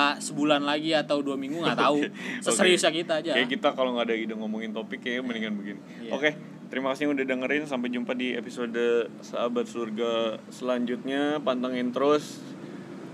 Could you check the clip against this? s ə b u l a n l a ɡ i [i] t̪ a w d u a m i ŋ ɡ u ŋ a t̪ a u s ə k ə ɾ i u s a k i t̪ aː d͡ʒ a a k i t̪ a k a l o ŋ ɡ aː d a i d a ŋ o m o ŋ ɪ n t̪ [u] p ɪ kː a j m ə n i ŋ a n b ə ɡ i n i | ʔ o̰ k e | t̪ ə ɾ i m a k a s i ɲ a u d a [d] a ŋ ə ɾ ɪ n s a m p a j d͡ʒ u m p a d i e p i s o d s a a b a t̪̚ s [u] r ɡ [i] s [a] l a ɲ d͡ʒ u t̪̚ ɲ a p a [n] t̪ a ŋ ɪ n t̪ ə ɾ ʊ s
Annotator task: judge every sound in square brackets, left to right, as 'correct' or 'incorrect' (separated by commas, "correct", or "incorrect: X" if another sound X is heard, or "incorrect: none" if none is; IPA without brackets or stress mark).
incorrect: a, incorrect: o, correct, correct, incorrect: a, incorrect: ə, correct